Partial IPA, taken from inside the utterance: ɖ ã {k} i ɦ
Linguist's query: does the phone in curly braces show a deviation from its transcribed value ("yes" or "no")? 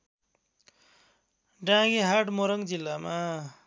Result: yes